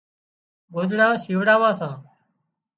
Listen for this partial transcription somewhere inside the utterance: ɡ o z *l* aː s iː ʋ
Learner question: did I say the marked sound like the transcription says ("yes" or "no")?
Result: no